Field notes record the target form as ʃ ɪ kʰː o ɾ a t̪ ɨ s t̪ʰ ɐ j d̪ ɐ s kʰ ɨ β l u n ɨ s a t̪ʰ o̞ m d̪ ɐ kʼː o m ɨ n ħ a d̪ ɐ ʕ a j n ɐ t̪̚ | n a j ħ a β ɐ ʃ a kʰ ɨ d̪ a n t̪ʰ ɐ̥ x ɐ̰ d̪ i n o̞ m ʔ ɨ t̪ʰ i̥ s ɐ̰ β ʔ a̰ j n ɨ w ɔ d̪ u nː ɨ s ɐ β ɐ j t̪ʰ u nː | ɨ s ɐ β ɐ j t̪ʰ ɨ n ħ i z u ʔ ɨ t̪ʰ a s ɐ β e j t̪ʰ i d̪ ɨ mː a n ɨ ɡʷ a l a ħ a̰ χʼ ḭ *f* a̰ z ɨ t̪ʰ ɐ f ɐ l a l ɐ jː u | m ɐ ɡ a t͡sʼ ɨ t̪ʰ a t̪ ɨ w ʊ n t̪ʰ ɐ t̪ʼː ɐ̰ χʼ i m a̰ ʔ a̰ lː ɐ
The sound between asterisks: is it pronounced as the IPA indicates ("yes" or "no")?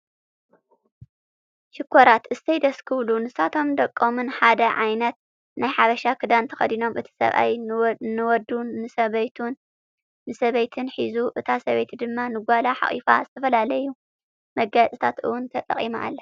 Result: yes